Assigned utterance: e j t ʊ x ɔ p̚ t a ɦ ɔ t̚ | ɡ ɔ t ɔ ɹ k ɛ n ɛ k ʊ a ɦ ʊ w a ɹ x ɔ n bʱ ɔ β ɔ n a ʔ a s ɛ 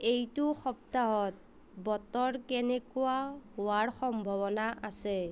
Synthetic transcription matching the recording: e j t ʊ x ɔ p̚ t a ɦ ɔ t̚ | b ɔ t ɔ ɹ k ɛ n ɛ k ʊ a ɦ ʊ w a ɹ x ɔ m bʱ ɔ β ɔ n a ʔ a s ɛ